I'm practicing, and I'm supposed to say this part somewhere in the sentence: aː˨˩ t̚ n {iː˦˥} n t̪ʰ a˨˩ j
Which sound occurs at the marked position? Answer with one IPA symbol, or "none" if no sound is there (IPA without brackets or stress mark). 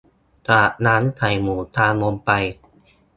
aː˦˥